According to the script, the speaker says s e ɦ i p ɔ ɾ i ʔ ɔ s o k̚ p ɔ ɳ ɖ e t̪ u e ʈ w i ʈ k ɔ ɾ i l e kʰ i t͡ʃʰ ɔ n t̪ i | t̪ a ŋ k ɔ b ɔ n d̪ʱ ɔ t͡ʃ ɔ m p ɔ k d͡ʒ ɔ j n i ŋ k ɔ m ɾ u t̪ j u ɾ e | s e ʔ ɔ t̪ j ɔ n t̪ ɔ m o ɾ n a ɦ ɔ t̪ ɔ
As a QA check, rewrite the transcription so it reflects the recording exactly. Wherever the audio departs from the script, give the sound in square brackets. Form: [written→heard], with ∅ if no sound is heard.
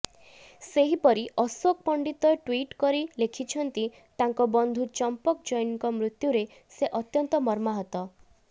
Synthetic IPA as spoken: s e ɦ i p ɔ ɾ i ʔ ɔ s o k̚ p ɔ ɳ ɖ [e→i] t̪ [u→ɔ] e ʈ w i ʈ k ɔ ɾ i l e kʰ i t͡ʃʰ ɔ n t̪ i | t̪ a ŋ k ɔ b ɔ n d̪ʱ [ɔ→u] t͡ʃ ɔ m p ɔ k d͡ʒ ɔ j n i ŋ k ɔ m ɾ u t̪ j u ɾ e | s e ʔ ɔ t̪ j ɔ n t̪ ɔ m [o→ɔ] ɾ [n→m] a ɦ ɔ t̪ ɔ